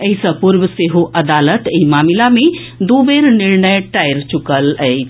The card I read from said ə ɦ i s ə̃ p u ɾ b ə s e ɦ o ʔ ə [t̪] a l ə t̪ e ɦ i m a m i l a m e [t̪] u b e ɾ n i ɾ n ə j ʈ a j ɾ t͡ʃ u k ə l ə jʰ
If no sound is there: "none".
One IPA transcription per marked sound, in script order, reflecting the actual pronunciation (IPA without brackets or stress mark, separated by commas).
d̪, d̪